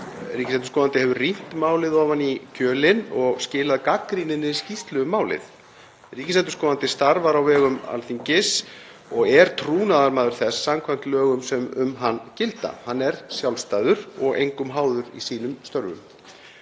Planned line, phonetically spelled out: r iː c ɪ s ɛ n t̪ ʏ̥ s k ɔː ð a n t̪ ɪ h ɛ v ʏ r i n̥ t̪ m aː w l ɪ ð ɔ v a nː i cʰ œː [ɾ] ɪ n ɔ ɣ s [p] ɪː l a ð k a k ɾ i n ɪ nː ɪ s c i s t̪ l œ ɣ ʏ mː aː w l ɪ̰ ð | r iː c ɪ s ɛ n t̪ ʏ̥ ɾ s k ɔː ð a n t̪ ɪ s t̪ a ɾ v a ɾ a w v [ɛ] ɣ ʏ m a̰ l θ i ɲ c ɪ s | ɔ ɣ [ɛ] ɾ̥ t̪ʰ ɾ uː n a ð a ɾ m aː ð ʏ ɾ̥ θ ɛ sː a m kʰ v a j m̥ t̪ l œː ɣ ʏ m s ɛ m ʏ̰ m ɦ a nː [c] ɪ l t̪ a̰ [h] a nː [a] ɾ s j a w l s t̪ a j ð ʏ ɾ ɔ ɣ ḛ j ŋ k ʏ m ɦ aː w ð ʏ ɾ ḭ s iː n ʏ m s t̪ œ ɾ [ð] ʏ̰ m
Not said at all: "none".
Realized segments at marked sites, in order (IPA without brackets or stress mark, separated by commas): l, c, ɛː, ɛ, c, h, ɛ, v